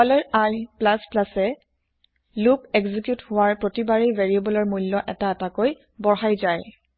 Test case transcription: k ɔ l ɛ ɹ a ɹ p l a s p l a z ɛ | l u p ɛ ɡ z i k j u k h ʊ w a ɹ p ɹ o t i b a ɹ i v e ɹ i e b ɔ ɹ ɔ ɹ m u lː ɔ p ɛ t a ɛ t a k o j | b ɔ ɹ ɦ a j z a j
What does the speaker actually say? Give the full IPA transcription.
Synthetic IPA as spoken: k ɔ l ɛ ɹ a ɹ p l a s p l a s ɛ | l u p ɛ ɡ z i k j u t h ʊ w a ɹ p ɹ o t i b a ɹ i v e ɹ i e b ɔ l ɔ ɹ m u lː ɔ ʔ ɛ t a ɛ t a k o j | b ɔ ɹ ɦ a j z a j